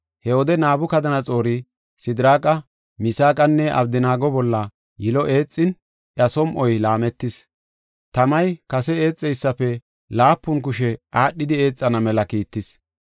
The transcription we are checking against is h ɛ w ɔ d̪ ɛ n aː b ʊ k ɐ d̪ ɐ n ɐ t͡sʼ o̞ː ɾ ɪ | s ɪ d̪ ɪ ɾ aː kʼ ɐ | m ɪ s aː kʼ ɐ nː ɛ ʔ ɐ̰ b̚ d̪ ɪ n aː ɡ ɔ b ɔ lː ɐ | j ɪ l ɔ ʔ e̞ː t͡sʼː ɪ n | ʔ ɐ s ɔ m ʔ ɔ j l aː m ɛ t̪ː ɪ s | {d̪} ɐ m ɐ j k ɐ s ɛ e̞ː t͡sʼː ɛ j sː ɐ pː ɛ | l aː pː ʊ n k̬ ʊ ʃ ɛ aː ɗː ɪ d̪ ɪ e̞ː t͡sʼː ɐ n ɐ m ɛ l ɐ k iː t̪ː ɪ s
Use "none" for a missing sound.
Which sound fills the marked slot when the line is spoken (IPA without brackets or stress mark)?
t̪